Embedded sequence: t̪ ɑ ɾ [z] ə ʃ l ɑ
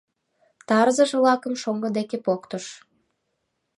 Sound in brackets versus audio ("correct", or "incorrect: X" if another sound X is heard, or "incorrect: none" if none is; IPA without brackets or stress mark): correct